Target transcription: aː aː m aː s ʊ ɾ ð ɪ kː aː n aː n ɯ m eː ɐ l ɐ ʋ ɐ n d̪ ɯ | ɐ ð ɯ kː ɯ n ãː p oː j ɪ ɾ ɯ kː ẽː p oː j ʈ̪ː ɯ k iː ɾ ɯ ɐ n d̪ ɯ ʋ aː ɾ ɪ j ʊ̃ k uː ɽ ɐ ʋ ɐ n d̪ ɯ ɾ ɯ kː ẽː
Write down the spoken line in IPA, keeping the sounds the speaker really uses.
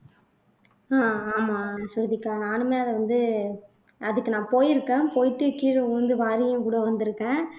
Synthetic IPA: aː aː m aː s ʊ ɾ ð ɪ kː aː n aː n ɯ m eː ɐ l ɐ ʋ ɐ n d̪ ɯ | ɐ ð ɯ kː ɯ n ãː p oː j ɪ ɾ ɯ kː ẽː p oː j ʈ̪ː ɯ k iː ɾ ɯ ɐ n d̪ ɯ ʋ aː ɾ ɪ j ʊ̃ k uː ɽ ɐ ʋ ɐ n d̪ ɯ ɾ ɯ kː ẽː